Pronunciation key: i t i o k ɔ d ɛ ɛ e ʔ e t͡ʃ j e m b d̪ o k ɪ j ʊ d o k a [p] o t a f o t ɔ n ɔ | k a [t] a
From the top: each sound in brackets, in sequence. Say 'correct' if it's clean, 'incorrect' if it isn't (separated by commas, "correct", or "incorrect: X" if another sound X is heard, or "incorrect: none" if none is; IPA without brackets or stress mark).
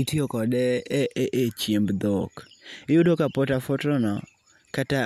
correct, correct